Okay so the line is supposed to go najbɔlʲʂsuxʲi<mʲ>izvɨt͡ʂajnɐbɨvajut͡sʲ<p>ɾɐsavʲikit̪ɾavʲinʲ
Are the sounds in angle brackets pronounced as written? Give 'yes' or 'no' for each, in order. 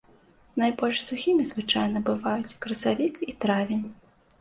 yes, no

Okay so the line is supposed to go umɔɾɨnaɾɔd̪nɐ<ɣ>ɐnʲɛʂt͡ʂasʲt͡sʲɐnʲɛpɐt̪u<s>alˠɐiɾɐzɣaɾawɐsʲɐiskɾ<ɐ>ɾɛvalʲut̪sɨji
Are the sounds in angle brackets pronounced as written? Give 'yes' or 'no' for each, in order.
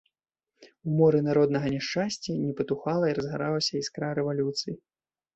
yes, no, no

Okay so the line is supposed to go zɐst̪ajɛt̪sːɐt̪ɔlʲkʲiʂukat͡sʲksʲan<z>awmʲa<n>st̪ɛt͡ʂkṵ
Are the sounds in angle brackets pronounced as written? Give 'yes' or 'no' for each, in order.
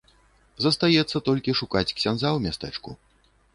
yes, no

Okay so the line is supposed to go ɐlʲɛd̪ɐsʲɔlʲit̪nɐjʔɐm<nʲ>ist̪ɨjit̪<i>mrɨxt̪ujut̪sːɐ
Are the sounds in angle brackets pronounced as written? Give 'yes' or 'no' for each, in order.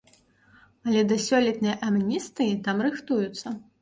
yes, no

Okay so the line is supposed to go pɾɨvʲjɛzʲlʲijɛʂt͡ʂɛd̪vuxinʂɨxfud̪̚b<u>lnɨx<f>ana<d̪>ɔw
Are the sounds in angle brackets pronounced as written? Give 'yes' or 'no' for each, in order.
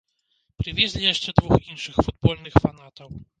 no, yes, no

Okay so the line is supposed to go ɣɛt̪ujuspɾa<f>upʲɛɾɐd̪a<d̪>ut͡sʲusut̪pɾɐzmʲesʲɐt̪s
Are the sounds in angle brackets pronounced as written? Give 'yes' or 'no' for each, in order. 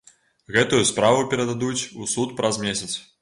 no, yes

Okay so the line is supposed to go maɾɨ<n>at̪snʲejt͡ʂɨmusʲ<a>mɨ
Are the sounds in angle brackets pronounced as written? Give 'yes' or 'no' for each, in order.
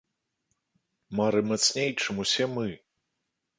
no, no

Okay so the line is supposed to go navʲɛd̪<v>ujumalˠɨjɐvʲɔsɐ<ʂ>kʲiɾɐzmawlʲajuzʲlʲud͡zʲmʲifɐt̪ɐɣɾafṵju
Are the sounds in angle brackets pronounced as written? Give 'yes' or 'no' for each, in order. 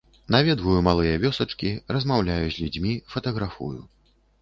yes, no

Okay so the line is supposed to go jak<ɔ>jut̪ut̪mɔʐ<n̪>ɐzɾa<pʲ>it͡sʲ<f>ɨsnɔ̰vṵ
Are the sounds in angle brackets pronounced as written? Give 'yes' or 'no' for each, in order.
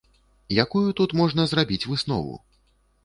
no, yes, no, no

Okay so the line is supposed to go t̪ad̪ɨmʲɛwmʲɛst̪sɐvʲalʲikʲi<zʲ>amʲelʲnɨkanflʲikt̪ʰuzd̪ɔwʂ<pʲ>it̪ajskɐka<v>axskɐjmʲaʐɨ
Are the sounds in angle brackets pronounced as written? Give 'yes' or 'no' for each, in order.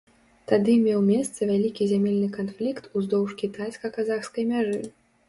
yes, no, no

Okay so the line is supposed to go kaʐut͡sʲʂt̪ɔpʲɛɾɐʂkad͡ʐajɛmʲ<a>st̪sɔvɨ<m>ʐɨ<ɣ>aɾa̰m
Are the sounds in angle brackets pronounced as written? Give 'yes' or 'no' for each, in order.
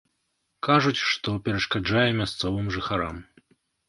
yes, yes, no

